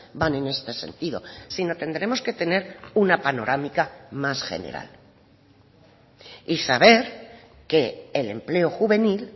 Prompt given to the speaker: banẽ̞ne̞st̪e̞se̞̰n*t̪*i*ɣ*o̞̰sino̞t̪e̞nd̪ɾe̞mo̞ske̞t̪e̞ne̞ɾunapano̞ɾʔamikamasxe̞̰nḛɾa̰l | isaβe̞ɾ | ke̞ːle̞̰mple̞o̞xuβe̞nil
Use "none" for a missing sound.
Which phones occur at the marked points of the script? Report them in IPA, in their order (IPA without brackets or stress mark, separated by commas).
t̪, ð